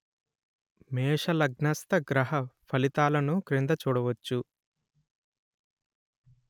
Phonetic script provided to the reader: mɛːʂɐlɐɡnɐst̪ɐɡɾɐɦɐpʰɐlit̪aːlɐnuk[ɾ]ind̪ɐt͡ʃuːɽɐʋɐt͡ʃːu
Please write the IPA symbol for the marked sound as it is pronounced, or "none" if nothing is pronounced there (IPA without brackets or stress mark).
ɾ